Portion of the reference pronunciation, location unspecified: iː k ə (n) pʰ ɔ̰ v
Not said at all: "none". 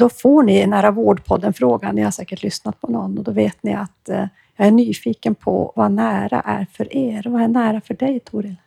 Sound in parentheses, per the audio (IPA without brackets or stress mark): n